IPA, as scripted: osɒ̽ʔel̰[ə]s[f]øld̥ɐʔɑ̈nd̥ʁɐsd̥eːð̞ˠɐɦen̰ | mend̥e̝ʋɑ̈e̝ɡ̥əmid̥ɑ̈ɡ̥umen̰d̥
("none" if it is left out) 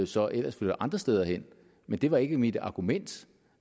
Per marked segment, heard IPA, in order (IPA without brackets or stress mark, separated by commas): ɐ, f